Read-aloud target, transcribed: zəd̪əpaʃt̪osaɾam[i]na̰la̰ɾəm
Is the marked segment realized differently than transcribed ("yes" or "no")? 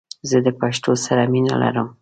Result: no